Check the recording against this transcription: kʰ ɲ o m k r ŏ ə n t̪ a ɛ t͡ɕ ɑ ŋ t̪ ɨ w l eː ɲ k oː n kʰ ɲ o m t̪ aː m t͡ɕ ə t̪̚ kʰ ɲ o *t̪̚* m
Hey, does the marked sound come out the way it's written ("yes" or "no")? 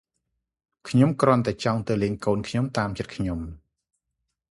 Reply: no